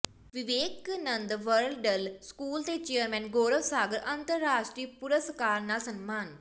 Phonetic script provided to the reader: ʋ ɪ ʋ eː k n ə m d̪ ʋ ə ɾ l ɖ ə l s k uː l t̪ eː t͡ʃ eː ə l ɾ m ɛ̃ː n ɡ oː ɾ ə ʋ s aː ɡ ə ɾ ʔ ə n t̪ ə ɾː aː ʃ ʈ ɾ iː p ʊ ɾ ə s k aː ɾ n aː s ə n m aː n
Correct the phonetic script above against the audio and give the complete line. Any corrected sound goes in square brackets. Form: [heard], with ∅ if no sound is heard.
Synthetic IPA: ʋ ɪ ʋ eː k n ə [n] d̪ ʋ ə ɾ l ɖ ə l s k uː l t̪ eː t͡ʃ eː ə [∅] ɾ m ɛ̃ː n ɡ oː ɾ ə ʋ s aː ɡ ə ɾ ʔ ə n t̪ ə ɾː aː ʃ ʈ ɾ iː p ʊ ɾ ə s k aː ɾ n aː s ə n m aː n